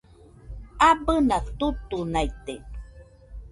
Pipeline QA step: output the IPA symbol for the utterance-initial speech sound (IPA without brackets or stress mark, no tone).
a